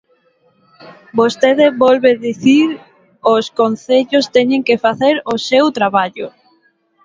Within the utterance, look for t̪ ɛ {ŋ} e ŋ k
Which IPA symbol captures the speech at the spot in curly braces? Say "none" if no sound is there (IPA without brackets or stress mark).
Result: ɲ